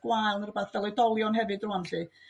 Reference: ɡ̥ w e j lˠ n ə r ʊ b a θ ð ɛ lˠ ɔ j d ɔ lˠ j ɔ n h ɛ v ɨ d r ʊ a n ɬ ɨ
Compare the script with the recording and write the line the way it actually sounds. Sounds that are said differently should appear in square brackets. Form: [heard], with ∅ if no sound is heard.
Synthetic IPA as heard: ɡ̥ w [a] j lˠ n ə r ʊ b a θ [v] ɛ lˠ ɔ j d ɔ lˠ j ɔ n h ɛ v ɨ d r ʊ a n ɬ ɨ